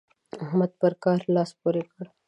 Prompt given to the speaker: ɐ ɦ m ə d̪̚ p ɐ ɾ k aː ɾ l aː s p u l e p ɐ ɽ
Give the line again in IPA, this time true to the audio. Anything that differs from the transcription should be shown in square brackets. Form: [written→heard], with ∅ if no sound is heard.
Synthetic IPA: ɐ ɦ m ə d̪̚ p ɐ ɾ k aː ɾ l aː s p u [l→ɾ] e [p→k] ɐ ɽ